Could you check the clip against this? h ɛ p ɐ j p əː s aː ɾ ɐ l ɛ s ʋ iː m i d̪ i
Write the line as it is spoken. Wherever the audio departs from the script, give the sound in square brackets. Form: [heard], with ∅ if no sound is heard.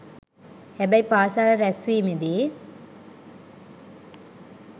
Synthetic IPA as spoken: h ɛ [b] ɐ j p [aː] s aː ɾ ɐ [ɾ] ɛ s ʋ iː m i d̪ i

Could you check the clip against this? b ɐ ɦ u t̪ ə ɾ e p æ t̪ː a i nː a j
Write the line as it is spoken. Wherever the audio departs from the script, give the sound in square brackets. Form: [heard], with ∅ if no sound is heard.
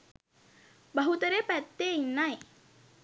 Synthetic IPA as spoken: b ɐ ɦ u t̪ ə ɾ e p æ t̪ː [e] i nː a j

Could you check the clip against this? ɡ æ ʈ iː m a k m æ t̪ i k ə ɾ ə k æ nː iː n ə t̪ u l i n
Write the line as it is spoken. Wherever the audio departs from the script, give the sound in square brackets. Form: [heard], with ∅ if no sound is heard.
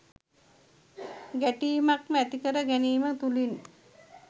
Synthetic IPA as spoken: ɡ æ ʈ iː m a k m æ t̪ i k ə ɾ ə [ɡ] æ [n] iː [m] ə t̪ u l i n

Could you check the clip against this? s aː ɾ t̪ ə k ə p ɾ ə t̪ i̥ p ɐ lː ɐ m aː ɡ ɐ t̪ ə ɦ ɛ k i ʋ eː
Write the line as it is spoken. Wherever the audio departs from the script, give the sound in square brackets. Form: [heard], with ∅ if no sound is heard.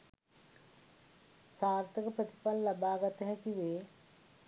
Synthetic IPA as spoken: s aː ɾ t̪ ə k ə p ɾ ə t̪ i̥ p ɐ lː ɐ [b] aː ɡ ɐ t̪ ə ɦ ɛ k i ʋ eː

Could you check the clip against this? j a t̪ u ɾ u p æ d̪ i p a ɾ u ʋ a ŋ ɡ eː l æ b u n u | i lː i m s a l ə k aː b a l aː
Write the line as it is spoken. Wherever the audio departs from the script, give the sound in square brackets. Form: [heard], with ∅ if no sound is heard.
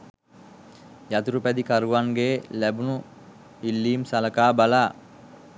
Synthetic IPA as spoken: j a t̪ u ɾ u p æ d̪ i [k] a ɾ u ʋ a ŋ ɡ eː l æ b u n u | i lː [iː] m s a l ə k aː b a l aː

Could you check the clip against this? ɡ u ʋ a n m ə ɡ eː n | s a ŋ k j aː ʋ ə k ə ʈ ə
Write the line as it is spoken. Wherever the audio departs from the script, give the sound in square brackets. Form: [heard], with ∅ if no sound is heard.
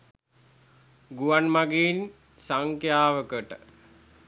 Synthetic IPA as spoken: ɡ u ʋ a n m [a] ɡ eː n | s a ŋ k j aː ʋ ə k ə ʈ ə

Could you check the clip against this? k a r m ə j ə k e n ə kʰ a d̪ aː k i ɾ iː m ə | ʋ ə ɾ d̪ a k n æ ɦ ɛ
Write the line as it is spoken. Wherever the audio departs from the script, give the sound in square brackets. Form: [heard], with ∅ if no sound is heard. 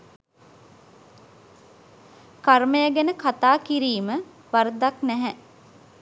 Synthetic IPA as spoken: k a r m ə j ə [ɡ] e n ə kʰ a [t̪] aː k i ɾ iː m ə | ʋ [a] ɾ d̪ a k n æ ɦ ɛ

